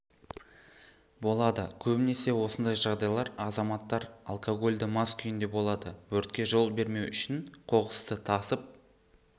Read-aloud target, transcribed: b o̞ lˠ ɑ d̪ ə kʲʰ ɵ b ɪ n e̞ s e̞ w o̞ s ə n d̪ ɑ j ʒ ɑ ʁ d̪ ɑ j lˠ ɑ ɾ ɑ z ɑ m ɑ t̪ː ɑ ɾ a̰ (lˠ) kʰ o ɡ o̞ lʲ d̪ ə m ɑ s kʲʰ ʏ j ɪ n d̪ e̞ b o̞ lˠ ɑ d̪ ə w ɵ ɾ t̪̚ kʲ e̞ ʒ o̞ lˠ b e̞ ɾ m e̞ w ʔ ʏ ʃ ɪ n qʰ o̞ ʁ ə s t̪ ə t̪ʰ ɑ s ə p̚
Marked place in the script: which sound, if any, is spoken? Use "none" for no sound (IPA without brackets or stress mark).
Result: lˠ